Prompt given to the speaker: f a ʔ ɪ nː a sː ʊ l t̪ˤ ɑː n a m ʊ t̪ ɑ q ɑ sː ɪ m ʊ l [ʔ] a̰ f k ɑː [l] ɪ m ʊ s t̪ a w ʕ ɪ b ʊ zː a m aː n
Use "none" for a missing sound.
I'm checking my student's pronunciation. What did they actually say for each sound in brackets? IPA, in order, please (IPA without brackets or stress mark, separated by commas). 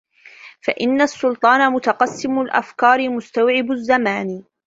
ʔ, ɾ